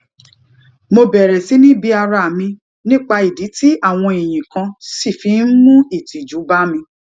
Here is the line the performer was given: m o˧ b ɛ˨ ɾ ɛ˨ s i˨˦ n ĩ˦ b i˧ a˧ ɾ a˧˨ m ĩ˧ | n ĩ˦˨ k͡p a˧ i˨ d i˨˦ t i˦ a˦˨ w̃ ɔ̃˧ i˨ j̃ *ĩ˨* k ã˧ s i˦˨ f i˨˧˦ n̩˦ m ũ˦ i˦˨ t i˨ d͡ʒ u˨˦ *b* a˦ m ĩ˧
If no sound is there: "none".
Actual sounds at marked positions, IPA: ĩ˨, b

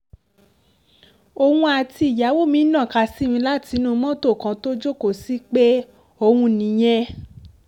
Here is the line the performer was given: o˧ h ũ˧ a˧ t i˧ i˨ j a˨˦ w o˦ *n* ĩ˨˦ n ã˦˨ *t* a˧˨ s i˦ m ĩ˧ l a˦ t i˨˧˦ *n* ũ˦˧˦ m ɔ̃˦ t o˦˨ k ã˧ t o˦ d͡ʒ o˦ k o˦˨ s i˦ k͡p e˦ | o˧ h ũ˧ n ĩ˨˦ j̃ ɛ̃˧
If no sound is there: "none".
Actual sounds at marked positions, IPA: m, k, n

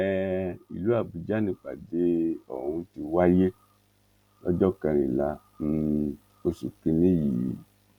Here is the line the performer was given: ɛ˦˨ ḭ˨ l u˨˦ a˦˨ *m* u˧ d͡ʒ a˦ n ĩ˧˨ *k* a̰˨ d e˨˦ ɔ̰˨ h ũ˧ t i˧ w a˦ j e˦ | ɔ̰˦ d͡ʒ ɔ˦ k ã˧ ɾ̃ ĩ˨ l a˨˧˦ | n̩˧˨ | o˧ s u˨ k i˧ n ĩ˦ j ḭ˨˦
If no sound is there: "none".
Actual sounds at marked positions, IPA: b, k͡p

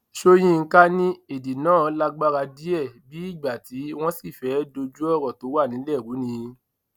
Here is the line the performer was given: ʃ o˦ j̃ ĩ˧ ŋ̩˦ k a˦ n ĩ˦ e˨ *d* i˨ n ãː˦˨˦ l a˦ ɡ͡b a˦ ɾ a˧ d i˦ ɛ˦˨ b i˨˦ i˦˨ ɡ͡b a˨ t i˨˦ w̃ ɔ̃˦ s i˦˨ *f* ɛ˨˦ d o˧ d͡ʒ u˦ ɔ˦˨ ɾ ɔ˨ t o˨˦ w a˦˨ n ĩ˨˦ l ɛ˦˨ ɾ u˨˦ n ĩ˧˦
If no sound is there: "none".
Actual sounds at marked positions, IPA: d, f

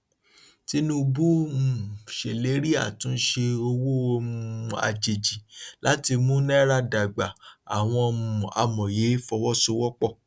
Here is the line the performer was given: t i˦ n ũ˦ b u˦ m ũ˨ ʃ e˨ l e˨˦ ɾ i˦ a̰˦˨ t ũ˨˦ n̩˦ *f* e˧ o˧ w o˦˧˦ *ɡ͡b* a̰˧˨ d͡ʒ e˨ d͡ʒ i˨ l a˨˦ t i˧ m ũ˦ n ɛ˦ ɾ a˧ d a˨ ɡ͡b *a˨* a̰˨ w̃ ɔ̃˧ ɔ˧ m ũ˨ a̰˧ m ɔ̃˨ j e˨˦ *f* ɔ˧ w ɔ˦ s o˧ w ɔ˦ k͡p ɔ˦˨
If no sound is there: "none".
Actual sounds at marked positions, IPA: ʃ, none, a˨, f

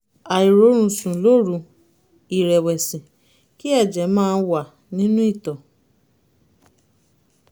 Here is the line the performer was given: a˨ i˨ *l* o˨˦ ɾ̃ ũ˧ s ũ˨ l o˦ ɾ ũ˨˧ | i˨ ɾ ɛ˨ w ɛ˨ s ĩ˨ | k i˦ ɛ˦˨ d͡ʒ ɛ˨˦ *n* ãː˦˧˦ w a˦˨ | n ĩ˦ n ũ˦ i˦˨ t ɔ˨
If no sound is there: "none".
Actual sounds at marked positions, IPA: ɾ, m

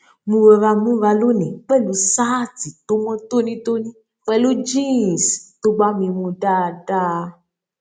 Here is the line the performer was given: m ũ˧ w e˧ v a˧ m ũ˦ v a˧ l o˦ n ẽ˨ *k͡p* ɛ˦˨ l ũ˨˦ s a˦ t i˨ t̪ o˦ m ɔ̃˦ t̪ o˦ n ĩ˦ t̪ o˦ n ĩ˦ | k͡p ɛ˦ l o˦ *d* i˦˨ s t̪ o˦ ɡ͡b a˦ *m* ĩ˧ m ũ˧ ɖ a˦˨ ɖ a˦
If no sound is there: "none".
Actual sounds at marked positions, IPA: k͡p, d͡ʒ, m

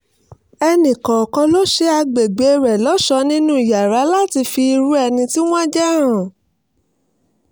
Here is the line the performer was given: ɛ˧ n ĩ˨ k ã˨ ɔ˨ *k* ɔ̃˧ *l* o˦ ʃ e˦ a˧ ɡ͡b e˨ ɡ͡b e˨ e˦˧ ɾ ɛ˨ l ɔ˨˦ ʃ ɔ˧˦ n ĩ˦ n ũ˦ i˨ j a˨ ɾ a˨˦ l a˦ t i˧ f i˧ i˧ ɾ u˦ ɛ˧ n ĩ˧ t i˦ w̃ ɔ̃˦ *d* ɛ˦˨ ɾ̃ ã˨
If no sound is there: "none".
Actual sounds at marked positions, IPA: k, l, d͡ʒ

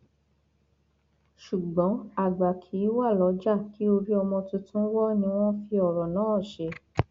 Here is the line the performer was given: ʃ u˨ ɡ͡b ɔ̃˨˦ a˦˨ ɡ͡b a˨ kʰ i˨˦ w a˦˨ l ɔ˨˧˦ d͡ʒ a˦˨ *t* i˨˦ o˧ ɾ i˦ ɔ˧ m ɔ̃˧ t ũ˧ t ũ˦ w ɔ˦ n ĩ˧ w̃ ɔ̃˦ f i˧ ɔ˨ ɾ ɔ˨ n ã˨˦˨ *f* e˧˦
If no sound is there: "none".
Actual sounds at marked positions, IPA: k, ʃ

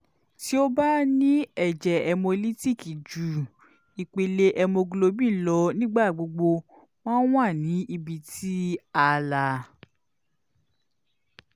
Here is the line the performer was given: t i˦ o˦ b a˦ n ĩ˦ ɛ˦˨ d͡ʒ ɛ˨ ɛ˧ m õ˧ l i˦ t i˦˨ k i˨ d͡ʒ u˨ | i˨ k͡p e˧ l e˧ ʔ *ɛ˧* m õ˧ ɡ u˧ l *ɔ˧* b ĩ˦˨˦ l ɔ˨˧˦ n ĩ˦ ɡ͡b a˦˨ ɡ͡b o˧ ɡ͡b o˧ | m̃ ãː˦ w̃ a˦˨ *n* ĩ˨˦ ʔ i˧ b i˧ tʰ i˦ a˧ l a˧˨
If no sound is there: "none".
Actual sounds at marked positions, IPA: ɛ˧, o˧, n

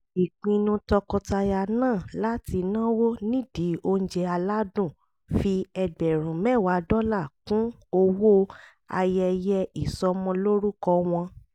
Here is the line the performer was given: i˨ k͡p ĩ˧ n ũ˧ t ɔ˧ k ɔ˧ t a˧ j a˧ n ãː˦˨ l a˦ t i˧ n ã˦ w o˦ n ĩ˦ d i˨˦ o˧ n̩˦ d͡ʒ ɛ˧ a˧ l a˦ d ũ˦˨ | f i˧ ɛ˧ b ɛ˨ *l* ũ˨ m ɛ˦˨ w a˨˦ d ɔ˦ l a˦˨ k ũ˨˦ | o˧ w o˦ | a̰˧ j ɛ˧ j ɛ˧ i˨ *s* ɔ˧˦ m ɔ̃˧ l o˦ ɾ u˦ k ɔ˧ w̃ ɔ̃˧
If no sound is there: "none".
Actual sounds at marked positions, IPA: ɾ, s

